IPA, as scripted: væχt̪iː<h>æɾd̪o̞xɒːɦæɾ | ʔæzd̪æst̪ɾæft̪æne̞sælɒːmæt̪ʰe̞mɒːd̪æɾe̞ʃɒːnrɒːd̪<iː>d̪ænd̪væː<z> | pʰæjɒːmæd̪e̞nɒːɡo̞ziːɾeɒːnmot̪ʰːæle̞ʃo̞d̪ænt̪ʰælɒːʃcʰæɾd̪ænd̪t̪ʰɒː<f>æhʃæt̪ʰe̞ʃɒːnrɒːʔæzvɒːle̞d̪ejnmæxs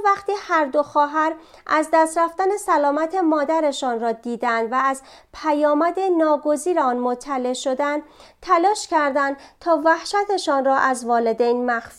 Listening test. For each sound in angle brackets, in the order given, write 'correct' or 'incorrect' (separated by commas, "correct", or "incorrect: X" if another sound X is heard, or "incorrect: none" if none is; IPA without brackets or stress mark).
correct, correct, correct, incorrect: v